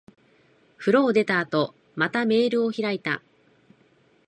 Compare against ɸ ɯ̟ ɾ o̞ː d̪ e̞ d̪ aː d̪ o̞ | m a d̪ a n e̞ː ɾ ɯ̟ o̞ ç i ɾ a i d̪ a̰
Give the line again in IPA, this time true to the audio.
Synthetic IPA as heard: ɸ ɯ̟ ɾ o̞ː d̪ e̞ t̪ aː t̪ o̞ | m a t̪ a m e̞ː ɾ ɯ̟ o̞ ç i ɾ a i t̪ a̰